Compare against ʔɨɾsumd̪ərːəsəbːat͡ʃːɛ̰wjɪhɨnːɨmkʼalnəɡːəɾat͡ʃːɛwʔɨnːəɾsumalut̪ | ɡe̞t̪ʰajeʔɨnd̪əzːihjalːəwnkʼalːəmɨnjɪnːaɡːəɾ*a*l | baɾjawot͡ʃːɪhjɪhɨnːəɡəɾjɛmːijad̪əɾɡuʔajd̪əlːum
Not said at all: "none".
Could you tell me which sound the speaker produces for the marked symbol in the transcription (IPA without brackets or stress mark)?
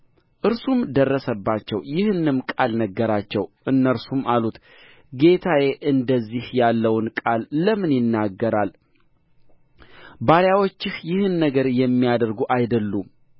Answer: a